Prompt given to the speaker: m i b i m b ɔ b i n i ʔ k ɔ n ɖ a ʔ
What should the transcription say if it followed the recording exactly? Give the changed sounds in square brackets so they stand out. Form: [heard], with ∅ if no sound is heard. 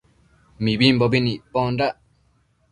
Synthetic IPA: m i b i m b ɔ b i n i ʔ [p] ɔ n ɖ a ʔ